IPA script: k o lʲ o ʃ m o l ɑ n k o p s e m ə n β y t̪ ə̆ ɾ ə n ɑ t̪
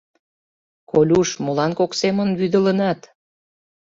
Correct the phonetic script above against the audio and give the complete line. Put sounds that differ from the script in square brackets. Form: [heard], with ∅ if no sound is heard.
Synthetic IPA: k o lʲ [u] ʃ m o l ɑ n k o [k] s e m ə n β y [d̪] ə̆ [l] ə n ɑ t̪